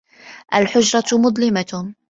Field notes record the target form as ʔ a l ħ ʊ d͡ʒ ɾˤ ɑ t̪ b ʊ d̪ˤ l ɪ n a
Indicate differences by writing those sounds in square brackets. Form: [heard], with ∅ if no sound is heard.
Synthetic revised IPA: ʔ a l ħ ʊ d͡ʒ ɾˤ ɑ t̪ [m] ʊ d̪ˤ l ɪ [m] a